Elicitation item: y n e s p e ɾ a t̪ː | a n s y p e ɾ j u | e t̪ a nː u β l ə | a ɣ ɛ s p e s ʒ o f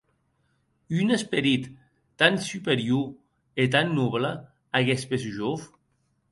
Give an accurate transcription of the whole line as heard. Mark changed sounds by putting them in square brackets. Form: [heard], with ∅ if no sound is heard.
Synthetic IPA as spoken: y n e s p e ɾ [i] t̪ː | a n s y p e ɾ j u | e t̪ a nː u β l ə | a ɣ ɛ s p e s ʒ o f